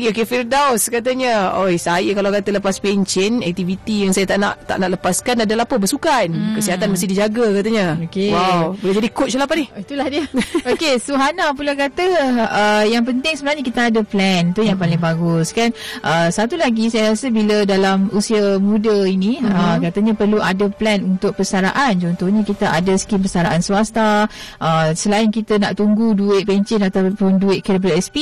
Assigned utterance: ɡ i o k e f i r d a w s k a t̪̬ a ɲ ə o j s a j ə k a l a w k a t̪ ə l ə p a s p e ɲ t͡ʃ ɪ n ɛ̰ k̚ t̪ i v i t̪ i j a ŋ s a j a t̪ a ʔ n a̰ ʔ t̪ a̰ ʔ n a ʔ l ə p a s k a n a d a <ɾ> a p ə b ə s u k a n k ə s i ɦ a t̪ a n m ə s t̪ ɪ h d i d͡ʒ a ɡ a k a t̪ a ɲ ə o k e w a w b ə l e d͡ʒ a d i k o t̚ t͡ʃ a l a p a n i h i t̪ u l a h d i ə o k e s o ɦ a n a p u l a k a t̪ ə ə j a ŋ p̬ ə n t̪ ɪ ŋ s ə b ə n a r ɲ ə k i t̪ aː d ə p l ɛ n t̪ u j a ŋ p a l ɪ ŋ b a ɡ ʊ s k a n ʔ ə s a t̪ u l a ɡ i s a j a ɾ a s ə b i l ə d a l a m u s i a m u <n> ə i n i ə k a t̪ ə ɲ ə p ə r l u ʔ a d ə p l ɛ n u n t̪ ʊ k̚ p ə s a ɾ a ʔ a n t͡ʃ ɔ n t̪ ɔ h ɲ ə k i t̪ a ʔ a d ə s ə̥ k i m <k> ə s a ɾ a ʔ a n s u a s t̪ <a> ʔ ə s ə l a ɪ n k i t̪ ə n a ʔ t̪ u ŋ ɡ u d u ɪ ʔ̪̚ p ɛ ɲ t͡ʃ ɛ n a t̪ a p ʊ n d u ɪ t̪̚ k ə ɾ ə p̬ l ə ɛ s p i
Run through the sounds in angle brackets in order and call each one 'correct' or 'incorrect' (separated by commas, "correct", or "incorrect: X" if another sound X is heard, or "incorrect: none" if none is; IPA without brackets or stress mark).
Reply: incorrect: l, incorrect: d, incorrect: p, correct